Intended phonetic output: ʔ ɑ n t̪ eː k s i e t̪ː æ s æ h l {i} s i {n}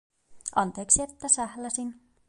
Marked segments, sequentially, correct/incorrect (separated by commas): incorrect, correct